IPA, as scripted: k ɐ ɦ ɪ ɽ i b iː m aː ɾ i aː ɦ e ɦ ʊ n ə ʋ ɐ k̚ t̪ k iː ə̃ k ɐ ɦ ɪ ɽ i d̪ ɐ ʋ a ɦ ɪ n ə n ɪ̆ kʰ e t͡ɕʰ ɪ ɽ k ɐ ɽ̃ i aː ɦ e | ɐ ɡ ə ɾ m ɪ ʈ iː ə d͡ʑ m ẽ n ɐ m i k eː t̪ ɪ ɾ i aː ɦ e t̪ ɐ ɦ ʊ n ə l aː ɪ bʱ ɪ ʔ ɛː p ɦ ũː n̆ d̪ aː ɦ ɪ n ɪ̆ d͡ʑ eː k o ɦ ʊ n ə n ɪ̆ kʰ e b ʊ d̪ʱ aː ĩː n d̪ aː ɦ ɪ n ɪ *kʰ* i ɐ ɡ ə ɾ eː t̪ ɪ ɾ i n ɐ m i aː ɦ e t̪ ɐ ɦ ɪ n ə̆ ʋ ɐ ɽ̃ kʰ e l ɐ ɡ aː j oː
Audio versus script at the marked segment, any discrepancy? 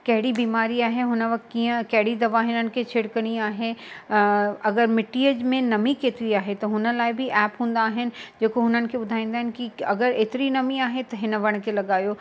yes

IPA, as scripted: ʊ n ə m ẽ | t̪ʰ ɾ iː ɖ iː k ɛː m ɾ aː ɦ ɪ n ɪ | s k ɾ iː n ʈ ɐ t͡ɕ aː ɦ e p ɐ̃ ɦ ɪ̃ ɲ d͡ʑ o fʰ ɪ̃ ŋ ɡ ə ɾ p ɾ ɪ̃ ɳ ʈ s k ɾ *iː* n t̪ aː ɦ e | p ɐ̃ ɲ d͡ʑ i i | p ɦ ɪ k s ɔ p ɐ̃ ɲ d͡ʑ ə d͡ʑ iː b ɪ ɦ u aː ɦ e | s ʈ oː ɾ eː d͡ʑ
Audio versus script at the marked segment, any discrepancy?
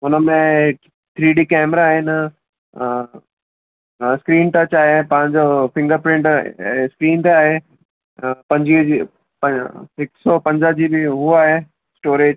no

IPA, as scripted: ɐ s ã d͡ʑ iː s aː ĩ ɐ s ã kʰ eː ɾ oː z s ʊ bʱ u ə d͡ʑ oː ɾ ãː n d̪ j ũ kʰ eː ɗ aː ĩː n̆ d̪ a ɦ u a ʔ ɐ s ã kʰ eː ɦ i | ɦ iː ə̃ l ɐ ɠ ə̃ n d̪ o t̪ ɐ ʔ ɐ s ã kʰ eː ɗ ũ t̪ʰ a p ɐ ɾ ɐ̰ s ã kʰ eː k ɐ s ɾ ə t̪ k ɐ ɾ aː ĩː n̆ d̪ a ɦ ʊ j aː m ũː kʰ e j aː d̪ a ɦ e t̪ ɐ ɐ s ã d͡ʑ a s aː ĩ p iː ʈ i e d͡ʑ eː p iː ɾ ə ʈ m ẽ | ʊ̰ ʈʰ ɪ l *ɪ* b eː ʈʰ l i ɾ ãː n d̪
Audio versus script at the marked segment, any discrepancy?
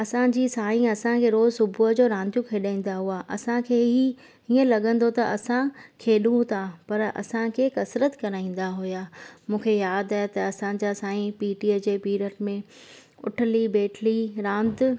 yes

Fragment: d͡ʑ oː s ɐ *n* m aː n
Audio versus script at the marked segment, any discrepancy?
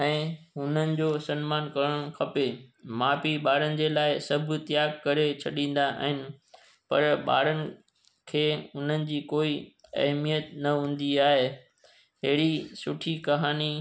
no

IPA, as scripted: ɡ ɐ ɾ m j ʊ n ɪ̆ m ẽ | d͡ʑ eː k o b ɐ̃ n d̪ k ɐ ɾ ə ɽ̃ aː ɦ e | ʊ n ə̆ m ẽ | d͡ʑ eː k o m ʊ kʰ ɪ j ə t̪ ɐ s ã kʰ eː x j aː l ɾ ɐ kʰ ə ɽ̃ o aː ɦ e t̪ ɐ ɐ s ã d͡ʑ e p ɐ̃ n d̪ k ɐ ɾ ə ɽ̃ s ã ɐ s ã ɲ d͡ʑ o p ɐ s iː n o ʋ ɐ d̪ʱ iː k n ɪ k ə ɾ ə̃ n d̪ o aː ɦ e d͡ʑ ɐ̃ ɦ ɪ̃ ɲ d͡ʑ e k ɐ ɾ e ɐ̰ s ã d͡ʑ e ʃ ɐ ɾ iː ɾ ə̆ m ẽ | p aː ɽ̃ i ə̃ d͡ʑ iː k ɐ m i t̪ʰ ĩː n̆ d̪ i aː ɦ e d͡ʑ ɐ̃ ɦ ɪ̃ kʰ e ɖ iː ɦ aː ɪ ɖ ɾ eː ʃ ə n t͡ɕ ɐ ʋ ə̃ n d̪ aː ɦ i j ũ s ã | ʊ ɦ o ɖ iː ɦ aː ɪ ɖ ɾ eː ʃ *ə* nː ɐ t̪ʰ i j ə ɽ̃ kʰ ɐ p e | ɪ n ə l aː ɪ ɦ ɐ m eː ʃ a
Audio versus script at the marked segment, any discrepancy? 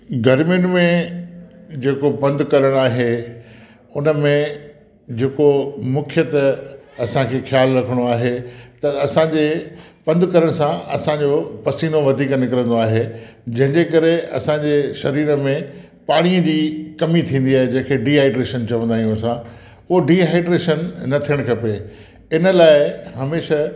no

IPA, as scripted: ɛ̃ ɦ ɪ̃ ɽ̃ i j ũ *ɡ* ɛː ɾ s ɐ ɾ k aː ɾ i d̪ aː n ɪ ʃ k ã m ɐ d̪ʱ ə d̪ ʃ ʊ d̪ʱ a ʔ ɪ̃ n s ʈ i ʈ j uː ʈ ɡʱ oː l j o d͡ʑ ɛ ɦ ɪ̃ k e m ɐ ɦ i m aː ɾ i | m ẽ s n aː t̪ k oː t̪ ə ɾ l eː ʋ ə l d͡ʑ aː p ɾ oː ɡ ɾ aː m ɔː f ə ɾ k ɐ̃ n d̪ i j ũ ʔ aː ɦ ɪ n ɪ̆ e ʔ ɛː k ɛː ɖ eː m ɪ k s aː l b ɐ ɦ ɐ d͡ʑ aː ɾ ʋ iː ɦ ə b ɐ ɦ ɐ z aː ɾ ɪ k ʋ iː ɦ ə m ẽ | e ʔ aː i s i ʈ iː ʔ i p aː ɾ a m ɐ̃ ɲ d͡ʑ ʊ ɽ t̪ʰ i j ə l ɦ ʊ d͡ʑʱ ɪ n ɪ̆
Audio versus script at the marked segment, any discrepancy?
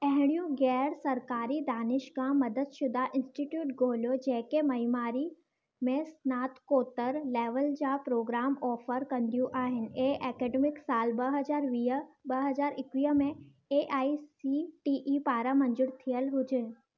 no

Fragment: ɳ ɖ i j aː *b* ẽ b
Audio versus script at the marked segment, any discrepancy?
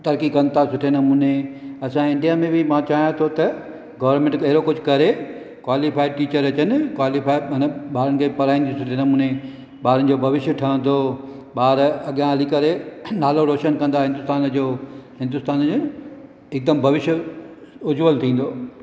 yes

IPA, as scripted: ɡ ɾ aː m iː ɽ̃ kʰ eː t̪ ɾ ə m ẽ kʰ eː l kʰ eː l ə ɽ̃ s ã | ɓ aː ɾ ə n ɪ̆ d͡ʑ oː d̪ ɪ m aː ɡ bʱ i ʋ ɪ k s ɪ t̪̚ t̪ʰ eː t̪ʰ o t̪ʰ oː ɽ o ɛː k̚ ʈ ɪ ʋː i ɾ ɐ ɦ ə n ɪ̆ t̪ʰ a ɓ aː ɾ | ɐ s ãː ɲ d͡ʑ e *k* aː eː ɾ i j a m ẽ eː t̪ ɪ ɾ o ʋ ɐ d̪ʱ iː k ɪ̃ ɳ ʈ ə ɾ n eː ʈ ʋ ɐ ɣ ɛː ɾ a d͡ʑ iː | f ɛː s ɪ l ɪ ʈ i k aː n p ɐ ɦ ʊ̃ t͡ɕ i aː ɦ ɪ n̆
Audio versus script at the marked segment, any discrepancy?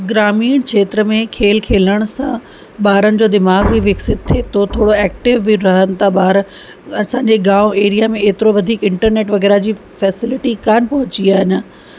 yes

